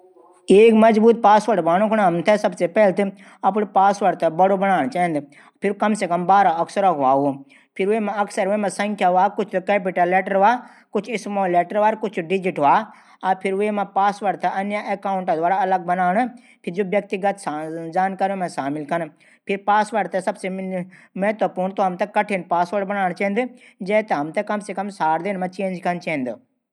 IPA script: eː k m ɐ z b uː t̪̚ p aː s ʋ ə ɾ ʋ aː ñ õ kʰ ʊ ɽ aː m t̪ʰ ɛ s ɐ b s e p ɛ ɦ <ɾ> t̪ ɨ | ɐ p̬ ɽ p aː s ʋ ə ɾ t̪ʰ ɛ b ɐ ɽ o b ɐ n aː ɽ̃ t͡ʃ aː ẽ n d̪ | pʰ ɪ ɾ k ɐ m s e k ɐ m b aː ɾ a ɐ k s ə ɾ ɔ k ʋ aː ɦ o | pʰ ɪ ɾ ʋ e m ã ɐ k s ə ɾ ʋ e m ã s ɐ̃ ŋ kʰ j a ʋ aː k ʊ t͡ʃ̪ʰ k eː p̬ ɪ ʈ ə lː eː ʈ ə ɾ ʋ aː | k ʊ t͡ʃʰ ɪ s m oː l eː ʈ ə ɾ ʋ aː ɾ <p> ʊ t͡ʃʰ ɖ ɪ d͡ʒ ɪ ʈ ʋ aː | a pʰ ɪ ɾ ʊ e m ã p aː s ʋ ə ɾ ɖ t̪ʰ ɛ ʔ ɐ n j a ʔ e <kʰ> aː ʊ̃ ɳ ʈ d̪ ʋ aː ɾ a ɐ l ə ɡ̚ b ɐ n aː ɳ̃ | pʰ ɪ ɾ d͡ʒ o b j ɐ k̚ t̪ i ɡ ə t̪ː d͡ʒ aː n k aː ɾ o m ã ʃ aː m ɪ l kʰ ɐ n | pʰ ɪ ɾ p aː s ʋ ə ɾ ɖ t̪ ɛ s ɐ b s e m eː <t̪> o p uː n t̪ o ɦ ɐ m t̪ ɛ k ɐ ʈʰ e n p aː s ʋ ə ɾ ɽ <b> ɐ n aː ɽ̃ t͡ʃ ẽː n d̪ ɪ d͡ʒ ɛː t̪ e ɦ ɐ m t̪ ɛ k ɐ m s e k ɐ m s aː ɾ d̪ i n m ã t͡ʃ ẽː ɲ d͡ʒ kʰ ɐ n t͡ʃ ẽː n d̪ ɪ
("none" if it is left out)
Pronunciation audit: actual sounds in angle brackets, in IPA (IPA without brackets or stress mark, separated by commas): l, k, k, t̪, b